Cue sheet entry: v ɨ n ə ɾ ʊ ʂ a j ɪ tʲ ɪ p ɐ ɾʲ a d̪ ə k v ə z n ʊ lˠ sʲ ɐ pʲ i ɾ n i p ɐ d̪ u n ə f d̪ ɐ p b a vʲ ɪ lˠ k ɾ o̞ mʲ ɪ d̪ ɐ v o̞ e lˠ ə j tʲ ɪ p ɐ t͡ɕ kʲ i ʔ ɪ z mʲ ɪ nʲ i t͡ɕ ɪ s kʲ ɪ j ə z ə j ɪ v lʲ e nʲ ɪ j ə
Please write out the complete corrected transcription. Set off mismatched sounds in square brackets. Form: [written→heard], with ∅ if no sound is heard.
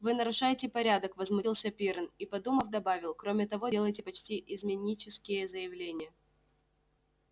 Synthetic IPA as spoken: v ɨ n ə ɾ ʊ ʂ a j ɪ tʲ ɪ p ɐ ɾʲ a d̪ ə k v ə z [n→m] ʊ lˠ sʲ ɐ pʲ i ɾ n i p ɐ d̪ u [n→m] ə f d̪ ɐ [p→∅] b a vʲ ɪ lˠ k ɾ o̞ mʲ ɪ [d̪→t̪] ɐ v o̞ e lˠ ə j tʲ ɪ p ɐ t͡ɕ [kʲ→tʲ] i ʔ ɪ z mʲ ɪ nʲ i t͡ɕ ɪ s kʲ ɪ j ə z ə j ɪ v lʲ e nʲ ɪ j ə